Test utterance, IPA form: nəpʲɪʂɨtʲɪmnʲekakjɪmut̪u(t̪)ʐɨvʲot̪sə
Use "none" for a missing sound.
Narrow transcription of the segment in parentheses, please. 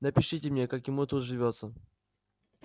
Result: t̪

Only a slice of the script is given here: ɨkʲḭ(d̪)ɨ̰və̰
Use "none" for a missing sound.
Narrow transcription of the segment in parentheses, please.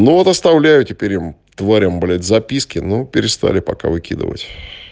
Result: d̪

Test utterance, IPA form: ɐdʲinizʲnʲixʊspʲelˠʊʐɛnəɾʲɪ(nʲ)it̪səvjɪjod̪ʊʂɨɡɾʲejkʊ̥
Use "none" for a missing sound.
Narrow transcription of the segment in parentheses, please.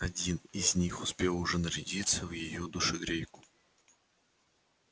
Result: dʲ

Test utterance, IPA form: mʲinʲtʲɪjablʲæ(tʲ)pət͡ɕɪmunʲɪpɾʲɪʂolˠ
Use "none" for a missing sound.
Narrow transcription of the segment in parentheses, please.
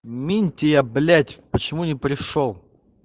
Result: tʲ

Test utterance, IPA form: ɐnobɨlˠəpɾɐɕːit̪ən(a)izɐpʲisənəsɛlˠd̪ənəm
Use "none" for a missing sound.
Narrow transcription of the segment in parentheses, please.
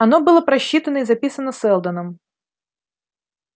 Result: ə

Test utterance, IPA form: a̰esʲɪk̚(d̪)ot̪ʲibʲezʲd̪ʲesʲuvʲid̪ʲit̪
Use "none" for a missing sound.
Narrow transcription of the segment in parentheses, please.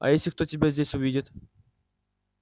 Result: t̪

